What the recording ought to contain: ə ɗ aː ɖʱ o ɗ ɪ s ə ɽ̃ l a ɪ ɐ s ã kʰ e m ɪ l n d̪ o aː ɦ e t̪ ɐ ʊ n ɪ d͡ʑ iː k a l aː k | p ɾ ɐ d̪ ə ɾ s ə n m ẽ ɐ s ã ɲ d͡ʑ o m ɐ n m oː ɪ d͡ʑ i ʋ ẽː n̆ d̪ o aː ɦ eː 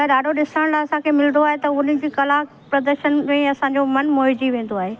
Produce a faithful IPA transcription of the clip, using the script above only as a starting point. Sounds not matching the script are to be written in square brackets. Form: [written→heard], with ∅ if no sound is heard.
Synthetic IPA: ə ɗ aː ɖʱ o ɗ ɪ s ə ɽ̃ l a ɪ ɐ s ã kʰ e m ɪ l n d̪ o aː ɦ e t̪ ɐ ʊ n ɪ d͡ʑ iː k [a→ɐ] l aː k | p ɾ ɐ d̪ ə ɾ [s→ʃ] ə n m ẽ ɐ s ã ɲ d͡ʑ o m ɐ n m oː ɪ d͡ʑ i ʋ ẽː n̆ d̪ o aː ɦ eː